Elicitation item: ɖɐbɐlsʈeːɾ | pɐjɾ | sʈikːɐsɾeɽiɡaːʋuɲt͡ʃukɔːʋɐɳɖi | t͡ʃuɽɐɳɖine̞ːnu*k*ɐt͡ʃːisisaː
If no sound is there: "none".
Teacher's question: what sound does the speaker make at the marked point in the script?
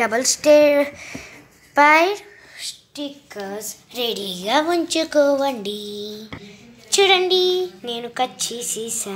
k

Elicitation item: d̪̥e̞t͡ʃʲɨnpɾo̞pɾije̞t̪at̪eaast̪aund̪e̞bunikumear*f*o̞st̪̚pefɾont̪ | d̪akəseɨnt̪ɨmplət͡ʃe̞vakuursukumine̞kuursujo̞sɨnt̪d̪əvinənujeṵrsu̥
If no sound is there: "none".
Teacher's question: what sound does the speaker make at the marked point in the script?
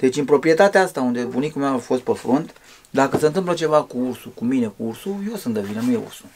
f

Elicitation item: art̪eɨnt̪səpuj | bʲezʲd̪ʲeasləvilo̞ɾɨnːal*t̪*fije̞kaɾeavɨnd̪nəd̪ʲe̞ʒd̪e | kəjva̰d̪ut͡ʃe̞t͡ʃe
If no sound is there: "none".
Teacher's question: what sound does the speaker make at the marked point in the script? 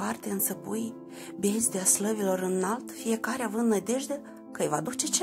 t̪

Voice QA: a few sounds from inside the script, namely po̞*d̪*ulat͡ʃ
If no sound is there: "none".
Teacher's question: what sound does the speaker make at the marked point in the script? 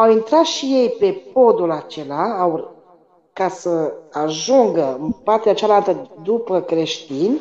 d̪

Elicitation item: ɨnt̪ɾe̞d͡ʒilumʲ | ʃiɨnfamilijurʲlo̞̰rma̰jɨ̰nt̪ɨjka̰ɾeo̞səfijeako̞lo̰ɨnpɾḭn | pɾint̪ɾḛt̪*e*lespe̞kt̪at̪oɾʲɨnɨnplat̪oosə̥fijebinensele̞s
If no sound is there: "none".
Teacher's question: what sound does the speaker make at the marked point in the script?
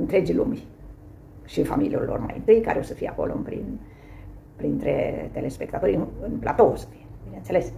e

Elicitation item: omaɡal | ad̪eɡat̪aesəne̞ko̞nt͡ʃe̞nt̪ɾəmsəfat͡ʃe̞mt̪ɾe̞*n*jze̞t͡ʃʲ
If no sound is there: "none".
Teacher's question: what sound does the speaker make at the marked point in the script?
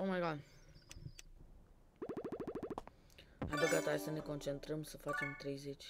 none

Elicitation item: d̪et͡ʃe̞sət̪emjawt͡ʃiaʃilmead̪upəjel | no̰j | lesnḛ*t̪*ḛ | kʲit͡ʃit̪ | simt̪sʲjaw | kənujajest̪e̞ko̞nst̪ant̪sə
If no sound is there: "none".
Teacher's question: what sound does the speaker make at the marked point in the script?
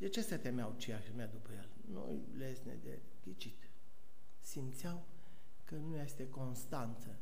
d̪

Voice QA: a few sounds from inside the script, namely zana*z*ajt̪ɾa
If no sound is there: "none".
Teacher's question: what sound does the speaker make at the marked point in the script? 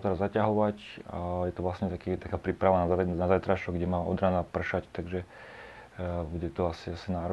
z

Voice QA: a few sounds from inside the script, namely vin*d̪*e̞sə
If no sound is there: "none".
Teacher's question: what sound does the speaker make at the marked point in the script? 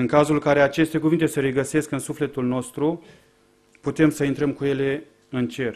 t̪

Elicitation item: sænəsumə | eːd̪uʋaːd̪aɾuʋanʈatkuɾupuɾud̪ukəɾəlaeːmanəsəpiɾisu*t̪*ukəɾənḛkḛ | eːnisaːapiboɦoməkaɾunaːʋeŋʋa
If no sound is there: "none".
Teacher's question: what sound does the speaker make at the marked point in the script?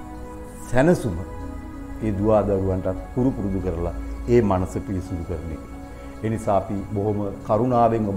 d̪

